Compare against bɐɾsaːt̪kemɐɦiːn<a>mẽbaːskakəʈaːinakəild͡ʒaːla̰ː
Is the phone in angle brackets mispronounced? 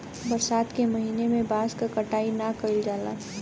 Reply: yes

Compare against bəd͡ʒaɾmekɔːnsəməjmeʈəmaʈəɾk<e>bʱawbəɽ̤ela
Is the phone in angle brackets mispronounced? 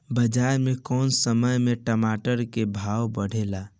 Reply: no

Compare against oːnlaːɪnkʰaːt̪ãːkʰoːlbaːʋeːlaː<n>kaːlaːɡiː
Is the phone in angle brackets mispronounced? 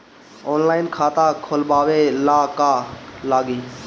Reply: yes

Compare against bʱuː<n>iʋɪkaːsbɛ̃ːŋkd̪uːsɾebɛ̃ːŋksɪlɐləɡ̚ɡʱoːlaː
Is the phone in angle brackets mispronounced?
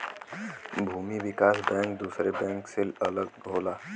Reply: yes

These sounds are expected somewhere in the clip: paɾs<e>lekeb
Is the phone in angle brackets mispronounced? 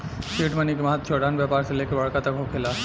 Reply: no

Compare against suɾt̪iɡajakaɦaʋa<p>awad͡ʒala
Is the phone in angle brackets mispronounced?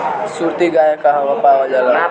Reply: no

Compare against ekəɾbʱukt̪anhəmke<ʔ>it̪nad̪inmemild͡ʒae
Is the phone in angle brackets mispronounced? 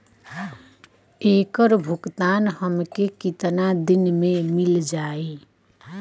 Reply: yes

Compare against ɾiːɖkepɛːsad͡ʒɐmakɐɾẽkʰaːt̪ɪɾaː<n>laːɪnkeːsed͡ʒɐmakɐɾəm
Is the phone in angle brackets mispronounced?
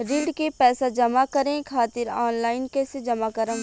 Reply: no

